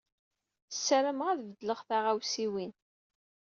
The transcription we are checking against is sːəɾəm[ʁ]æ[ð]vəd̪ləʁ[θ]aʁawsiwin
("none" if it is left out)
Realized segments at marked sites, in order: ʁ, ð, θ

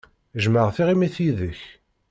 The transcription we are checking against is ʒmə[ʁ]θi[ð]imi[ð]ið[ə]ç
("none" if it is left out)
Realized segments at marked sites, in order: ʁ, ʁ, θ, ə

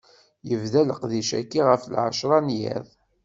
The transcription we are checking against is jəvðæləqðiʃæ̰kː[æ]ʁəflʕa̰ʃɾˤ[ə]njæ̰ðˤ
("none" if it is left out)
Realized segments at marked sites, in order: i, ɑ

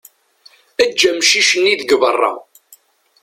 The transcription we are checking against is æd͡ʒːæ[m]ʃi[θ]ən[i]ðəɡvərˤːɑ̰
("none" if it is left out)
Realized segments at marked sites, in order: m, ʃ, i

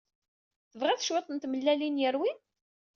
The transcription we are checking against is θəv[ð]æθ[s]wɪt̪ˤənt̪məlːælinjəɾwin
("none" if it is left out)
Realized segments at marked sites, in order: ʁ, ʃ

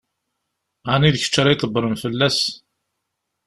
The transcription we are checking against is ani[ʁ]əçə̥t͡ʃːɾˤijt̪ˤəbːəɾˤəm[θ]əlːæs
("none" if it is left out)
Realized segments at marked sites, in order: ð, f

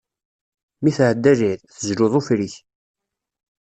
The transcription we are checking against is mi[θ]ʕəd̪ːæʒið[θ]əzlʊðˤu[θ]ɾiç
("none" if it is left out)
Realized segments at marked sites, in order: θ, θ, f

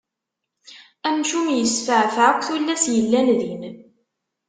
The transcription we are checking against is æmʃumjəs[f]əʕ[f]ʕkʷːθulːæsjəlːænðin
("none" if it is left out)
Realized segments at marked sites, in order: f, f

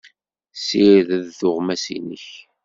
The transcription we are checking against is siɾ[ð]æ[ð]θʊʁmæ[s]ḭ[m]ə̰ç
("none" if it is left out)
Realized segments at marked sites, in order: ð, ð, s, n

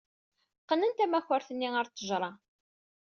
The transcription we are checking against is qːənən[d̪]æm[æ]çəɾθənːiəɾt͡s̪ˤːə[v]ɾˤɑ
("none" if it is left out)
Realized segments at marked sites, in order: t̪, æ, ʒ

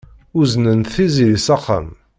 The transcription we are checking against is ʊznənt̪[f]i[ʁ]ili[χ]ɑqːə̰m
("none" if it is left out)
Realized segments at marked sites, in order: θ, z, s

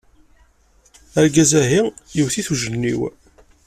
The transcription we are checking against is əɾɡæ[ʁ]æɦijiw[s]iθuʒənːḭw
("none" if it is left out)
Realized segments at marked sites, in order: z, θ

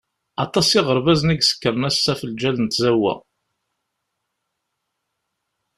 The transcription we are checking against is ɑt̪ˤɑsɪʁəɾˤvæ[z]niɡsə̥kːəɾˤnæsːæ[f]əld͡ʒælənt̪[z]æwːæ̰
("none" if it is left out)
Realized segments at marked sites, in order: z, f, z

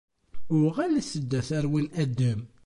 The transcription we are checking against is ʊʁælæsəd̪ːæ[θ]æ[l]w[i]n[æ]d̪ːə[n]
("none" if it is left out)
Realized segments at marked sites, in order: θ, ɾ, i, æ, m

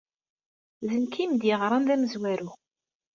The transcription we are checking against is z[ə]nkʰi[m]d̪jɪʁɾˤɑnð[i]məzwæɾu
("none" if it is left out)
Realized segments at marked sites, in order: ə, m, æ

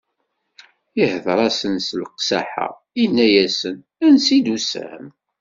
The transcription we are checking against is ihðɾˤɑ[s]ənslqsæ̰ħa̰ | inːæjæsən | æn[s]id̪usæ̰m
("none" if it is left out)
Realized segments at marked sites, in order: s, s

